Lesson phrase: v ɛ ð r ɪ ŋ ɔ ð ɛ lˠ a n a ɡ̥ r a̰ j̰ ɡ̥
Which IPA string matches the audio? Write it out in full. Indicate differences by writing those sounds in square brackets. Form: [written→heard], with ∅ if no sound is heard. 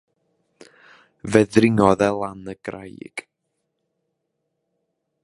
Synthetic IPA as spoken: v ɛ ð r ɪ ŋ ɔ ð ɛ lˠ a n [a→ə] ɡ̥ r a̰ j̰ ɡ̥